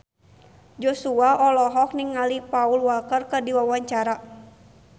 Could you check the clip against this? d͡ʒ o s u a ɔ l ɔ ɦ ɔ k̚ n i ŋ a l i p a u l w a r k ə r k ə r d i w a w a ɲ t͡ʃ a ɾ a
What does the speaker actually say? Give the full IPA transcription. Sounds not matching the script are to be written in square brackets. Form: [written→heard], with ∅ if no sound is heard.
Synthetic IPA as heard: d͡ʒ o s u a ɔ l ɔ ɦ ɔ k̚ n i ŋ a l i p a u l w a [r→l] k ə r k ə r d i w a w a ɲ t͡ʃ a ɾ a